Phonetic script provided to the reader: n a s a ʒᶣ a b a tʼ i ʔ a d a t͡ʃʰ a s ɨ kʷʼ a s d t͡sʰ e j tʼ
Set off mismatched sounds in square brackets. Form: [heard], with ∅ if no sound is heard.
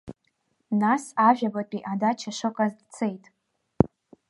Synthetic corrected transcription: n a s a ʒᶣ a b a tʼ i ʔ a d a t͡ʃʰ a [ʂ] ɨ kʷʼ a [z] d t͡sʰ e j tʼ